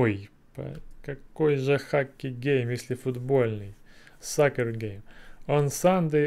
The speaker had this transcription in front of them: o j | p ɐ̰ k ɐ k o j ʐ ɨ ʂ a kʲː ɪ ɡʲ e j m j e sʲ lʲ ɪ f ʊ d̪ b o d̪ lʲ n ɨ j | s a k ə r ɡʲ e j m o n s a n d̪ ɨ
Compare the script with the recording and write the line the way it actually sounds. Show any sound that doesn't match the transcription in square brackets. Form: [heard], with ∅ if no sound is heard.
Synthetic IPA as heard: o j | p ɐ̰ k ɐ k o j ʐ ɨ [x] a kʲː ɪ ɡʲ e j m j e sʲ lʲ ɪ f ʊ d̪ b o [∅] lʲ n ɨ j | s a k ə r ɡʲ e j m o n s a n d̪ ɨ